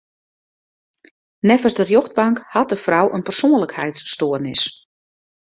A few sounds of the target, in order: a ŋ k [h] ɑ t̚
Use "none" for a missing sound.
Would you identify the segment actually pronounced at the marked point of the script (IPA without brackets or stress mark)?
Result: h